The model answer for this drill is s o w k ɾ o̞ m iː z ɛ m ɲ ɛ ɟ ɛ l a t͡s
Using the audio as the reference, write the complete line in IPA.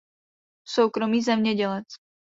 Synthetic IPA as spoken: s o w k ɾ o̞ m iː z ɛ m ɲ ɛ ɟ ɛ l ɛ t͡s